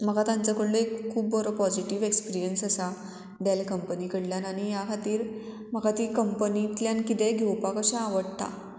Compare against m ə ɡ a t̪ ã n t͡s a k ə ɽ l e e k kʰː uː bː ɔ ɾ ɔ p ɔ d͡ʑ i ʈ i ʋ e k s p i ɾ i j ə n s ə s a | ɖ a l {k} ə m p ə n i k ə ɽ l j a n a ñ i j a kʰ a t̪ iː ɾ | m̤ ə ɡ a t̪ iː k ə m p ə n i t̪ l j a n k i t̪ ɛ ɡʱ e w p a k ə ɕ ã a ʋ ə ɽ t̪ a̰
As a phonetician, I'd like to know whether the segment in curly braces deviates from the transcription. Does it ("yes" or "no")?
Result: no